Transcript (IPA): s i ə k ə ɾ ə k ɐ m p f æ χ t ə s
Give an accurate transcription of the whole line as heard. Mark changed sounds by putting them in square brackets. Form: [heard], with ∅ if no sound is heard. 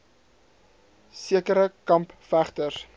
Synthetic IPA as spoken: s i ə k ə ɾ ə k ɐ m p f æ χ t ə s